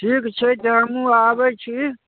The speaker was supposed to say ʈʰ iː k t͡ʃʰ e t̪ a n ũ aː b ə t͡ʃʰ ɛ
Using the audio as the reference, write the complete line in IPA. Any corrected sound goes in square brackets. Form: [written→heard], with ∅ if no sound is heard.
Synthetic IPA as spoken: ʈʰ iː k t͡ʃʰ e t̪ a [n→m] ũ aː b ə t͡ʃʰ [ɛ→i]